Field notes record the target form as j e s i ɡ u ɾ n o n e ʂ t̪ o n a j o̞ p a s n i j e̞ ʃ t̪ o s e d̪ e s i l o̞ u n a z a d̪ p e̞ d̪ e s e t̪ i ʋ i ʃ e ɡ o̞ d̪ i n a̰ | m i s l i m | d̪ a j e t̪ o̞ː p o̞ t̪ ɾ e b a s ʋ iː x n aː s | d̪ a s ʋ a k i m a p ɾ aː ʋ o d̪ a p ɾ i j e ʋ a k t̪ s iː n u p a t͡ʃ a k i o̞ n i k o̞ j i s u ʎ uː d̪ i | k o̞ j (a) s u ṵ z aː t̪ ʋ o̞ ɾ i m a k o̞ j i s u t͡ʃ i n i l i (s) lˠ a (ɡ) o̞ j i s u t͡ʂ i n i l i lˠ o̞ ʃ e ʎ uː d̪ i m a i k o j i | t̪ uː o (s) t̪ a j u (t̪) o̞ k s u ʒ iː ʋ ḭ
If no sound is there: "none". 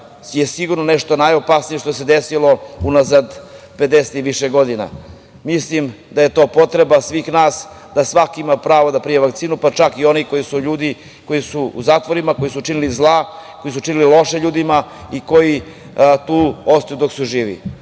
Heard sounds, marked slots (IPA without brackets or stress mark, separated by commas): i, z, k, s, d̪